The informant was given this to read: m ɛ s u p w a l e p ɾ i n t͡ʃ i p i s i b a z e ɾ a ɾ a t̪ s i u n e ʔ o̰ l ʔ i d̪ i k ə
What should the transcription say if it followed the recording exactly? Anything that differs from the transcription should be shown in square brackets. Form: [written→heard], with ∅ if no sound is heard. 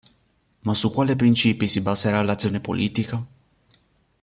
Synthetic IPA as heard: m [ɛ→a] s u [p→k] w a l e p ɾ i n t͡ʃ i p i s i b a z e ɾ a [ɾ→l] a t̪ s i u n e [ʔ→p] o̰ l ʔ i [d̪→t̪] i k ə

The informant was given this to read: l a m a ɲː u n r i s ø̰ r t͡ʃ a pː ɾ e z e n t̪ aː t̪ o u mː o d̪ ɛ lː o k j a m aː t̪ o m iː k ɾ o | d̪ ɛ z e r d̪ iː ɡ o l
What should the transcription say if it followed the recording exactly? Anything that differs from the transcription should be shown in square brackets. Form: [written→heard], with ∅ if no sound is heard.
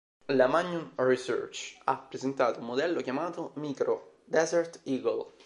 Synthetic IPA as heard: l a m a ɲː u n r i s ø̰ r t͡ʃ a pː ɾ e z e n t̪ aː t̪ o u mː o d̪ ɛ lː o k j a m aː t̪ o m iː k ɾ o | d̪ ɛ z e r [d̪→t̪] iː ɡ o l

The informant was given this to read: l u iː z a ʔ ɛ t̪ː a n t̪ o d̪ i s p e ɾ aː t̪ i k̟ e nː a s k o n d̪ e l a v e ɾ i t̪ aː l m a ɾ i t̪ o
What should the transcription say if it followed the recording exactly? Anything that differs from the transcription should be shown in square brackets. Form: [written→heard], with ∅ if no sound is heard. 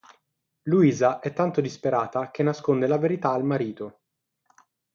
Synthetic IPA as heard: l u iː z a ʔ ɛ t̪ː a n t̪ o d̪ i s p e ɾ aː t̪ [i→a] k̟ e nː a s k o n d̪ e l a v e ɾ i t̪ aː l m a ɾ [i→iː] t̪ o

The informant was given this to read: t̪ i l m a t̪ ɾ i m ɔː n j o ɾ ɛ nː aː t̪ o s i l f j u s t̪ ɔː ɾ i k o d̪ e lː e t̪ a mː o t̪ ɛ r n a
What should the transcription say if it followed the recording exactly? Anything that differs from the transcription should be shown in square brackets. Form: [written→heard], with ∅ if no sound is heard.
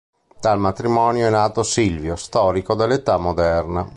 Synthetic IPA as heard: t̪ [i→a] l m a t̪ ɾ i m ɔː n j o [ɾ→∅] ɛ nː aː t̪ o s i l [f→v] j [u→o] s t̪ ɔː ɾ i k o d̪ e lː e t̪ a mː o [t̪→d̪] ɛ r n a

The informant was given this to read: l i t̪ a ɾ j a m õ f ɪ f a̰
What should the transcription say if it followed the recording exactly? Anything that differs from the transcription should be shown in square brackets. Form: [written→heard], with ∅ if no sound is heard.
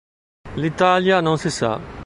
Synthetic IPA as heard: l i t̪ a [ɾ→l] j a [m→n] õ [f→s] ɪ [f→s] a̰

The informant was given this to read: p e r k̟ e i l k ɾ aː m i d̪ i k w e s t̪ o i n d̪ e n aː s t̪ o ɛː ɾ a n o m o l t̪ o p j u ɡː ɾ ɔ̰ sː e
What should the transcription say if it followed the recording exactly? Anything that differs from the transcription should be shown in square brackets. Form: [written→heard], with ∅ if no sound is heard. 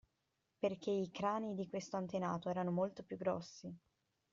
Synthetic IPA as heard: p e r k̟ e i [l→∅] k ɾ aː [m→n] i d̪ i k w e s t̪ o [i→a] n [d̪→t̪] e n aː [s→∅] t̪ o ɛː ɾ a n o m o l t̪ o p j u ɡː ɾ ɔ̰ sː [e→i]

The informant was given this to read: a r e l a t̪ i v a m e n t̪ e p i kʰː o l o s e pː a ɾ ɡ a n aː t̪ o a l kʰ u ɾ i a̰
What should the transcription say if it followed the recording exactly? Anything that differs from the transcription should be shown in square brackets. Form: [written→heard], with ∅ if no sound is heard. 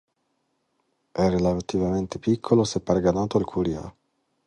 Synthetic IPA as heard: [a→ɛ] r e l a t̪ i v a m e n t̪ e p i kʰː o l o s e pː a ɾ ɡ a n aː t̪ o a l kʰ u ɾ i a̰

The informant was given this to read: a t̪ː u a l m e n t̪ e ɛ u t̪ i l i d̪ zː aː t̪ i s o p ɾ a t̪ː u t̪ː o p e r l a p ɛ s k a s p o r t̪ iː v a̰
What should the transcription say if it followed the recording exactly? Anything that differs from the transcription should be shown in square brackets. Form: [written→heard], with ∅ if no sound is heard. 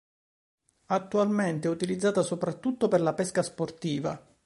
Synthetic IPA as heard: a t̪ː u a l m e n t̪ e ɛ u t̪ i l i d̪ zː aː t̪ [i→a] s o p ɾ a t̪ː u t̪ː o p e r l a p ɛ s k a s p o r t̪ iː v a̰

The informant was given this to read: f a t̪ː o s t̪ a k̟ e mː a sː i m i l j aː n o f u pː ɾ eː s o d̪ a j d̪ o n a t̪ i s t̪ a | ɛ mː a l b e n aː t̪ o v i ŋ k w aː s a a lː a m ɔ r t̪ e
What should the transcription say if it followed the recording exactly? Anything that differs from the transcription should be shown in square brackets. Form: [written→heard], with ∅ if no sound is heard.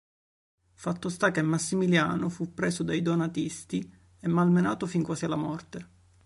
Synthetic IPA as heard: f a t̪ː o s t̪ a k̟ e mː a sː i m i l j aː n o f u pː ɾ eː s o d̪ a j d̪ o n a t̪ i s t̪ [a→i] | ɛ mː a l [b→m] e n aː t̪ o [v→f] i ŋ k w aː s [a→i] a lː a m ɔ r t̪ e

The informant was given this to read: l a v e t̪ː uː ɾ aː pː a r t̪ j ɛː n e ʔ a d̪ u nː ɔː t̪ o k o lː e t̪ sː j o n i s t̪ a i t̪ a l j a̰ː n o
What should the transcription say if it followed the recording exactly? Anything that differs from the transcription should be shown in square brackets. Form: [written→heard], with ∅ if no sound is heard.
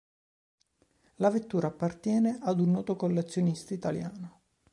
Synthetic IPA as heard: l a v e t̪ː uː ɾ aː pː a r t̪ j ɛː n e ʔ a d̪ u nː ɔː t̪ o k o lː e t̪ sː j o n i s t̪ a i t̪ a l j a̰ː n o

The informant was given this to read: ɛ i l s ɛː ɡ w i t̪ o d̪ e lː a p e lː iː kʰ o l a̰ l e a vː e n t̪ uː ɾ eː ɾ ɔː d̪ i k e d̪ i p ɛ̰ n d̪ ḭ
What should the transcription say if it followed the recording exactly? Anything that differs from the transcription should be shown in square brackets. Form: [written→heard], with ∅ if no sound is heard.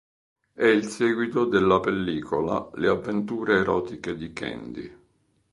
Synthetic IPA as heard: ɛ i l s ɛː ɡ w i t̪ o d̪ e lː a p e lː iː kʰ o l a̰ l e a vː e n t̪ uː ɾ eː ɾ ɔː [d̪→t̪] i k e d̪ i [p→k] ɛ̰ n d̪ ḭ

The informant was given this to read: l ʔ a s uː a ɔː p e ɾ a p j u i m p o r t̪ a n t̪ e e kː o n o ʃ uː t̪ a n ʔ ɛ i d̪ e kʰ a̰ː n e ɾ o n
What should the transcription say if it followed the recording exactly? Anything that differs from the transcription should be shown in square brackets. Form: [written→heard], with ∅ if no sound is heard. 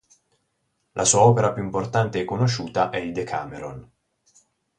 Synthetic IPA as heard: l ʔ a s uː a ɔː p e ɾ a p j u i m p o r t̪ a n t̪ e [e→ɛ] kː o n o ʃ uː t̪ a [n→∅] ʔ ɛ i d̪ e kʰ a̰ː [n→m] e ɾ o n

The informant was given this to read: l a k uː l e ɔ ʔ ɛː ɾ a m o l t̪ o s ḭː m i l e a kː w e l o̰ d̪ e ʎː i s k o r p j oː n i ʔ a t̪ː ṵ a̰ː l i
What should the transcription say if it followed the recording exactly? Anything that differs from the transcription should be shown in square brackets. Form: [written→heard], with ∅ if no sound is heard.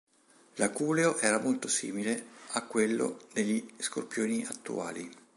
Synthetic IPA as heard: l a k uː l e [ɔ→o] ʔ ɛː ɾ a m o l t̪ o s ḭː m i l e a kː w e [l→lː] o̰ d̪ e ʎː i s k o r p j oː n i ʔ a t̪ː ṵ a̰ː l i

